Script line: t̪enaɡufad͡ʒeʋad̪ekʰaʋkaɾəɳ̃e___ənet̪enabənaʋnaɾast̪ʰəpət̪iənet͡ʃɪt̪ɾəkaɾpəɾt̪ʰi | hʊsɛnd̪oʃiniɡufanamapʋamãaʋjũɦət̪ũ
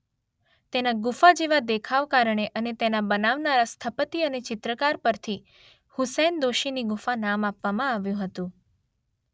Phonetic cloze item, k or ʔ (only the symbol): ʔ